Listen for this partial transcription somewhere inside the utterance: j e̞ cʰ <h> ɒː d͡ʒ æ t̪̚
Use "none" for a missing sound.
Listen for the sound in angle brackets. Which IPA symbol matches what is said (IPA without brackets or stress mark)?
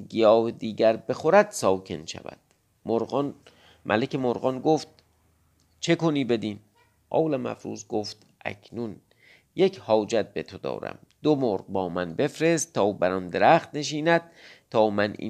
h